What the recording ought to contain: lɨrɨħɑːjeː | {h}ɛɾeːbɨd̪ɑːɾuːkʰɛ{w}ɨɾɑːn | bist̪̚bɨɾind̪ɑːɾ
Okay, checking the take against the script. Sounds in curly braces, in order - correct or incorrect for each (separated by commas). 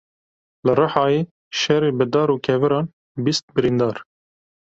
incorrect, incorrect